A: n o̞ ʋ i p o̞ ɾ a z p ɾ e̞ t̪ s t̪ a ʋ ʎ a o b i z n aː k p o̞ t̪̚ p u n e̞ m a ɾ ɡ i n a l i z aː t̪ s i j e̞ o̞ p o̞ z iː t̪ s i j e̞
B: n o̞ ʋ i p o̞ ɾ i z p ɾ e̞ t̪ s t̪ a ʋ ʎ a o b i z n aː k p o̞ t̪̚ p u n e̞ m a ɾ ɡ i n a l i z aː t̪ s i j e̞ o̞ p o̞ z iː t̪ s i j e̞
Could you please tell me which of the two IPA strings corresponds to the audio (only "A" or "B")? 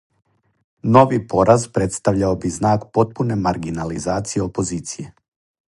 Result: A